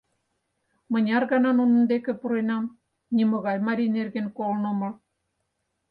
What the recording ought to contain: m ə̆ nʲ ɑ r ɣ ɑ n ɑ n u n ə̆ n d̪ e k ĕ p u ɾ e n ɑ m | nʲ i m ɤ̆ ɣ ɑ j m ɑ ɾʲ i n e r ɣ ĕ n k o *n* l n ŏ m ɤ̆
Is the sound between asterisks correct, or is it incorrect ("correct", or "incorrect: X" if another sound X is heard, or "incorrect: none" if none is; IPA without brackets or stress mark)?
incorrect: none